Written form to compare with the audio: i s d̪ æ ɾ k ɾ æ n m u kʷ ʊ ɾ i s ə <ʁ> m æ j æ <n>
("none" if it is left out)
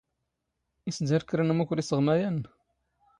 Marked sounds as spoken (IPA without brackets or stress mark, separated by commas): ʁ, n